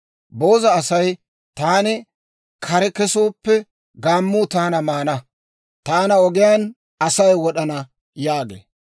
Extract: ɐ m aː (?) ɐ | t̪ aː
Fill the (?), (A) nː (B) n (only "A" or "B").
B